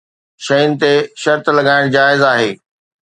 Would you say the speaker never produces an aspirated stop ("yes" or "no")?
yes